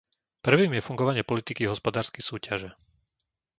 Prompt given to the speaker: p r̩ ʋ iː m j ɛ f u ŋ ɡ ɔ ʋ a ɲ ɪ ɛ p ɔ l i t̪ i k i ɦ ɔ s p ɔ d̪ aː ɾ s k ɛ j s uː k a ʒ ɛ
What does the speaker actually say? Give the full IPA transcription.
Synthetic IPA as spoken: p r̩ ʋ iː m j ɛ f u ŋ ɡ ɔ ʋ a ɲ ɪ ɛ p ɔ l i t̪ i k i ɦ ɔ s p ɔ d̪ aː ɾ s k ɛ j s uː c a ʒ ɛ